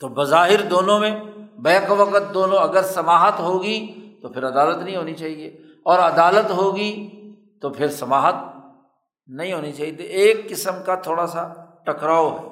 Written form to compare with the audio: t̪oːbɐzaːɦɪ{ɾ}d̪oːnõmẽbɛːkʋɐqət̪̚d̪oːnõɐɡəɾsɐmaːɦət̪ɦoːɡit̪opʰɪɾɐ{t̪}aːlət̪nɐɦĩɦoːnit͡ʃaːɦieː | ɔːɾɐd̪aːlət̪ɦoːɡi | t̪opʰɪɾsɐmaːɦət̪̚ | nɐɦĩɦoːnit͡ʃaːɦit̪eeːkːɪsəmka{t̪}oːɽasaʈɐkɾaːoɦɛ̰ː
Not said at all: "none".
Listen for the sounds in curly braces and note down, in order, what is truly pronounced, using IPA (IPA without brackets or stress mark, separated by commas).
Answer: ɾ, d̪, t̪ʰ